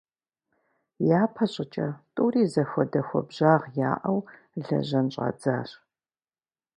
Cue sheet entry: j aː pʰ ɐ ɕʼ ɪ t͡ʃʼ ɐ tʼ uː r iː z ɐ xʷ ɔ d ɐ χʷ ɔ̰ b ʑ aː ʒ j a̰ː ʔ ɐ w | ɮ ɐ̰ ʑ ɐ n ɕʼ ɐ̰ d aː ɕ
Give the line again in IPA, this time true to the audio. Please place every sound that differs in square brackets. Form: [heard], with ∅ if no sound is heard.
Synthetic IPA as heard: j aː pʰ ɐ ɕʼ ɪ t͡ʃʼ ɐ tʼ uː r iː z ɐ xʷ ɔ d ɐ [xʷ] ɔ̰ b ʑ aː [ʁ] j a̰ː ʔ ɐ w | ɮ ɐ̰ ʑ ɐ n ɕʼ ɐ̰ [d͡z] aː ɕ